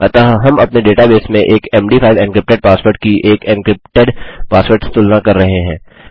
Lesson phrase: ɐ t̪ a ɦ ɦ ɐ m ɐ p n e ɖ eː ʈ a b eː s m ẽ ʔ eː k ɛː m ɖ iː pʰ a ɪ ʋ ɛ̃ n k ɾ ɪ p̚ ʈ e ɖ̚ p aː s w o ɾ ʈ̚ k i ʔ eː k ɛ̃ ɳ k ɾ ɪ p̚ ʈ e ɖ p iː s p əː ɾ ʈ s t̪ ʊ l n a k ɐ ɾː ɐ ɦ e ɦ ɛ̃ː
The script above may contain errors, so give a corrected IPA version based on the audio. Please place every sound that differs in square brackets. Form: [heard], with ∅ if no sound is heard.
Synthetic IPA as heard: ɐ t̪ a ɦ ɦ ɐ m ɐ p n e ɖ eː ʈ a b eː s m ẽ ʔ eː k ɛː m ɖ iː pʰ a ɪ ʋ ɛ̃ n k ɾ ɪ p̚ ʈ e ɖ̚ p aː s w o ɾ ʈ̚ k i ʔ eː k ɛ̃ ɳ k ɾ ɪ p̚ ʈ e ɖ p [aː] s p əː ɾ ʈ s t̪ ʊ l n a k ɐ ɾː ɐ ɦ e ɦ ɛ̃ː